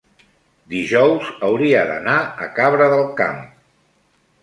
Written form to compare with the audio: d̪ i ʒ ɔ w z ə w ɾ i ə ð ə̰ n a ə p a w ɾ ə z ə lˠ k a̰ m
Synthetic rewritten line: d̪ i ʒ ɔ w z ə w ɾ i ə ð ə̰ n a ə k a β ɾ ə ð ə lˠ k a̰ m